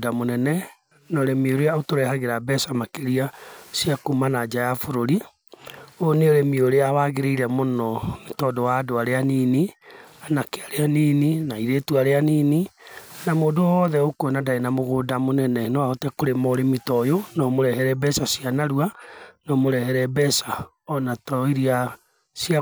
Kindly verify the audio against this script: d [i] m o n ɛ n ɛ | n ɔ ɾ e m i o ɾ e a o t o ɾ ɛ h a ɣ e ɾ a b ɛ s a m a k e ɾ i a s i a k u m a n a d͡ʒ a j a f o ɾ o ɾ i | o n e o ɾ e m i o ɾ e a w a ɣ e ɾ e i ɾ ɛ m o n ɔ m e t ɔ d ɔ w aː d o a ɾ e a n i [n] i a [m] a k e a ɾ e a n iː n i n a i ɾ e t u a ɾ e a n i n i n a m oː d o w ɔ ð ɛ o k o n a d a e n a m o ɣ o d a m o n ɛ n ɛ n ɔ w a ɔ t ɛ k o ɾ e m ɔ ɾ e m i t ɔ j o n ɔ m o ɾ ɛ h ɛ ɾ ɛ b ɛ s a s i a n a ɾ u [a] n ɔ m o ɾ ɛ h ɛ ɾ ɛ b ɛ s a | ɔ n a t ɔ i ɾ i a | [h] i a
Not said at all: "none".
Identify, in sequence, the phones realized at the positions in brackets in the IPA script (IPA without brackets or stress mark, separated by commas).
a, n, n, a, s